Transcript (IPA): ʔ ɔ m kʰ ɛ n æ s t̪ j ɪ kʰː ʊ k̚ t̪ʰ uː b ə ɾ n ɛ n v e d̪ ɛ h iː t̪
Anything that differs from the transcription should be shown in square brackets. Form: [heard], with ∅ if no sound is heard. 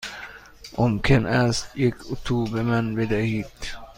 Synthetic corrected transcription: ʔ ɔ m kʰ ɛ n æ s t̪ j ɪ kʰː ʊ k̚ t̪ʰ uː b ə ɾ [m] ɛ n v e d̪ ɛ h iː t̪